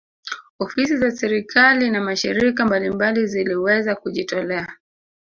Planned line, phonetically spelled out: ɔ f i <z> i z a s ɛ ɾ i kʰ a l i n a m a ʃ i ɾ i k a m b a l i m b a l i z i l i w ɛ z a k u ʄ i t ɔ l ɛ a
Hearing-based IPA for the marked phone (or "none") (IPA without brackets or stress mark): s